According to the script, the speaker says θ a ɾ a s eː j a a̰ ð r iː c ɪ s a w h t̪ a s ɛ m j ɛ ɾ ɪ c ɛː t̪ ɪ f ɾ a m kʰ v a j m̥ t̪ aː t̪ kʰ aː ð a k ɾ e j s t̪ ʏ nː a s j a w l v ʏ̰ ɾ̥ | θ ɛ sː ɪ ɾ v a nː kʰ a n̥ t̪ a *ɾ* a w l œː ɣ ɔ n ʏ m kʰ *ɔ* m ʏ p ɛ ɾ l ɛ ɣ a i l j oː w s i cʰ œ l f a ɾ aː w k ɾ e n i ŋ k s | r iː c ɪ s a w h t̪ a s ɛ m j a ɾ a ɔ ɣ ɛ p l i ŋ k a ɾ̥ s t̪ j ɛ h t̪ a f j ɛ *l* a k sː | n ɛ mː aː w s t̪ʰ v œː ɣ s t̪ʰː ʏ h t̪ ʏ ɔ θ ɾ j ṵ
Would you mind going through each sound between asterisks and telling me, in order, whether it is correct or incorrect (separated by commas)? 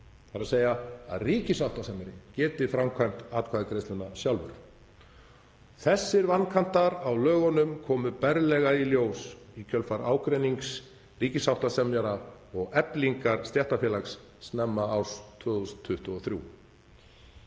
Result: correct, incorrect, correct